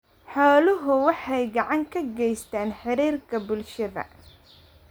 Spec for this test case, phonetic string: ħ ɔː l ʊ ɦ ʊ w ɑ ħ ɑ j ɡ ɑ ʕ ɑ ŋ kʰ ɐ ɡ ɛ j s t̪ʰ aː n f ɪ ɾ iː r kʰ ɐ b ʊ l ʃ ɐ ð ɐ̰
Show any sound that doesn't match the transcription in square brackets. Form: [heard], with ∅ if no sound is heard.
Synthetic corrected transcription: ħ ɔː l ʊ ɦ ʊ w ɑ ħ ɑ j ɡ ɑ ʕ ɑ ŋ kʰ ɐ ɡ ɛ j s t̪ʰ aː n [ħ] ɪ ɾ iː r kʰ ɐ b ʊ l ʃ ɐ ð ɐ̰